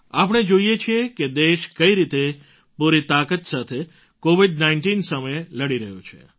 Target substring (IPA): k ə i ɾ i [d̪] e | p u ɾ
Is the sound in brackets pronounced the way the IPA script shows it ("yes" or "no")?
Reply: no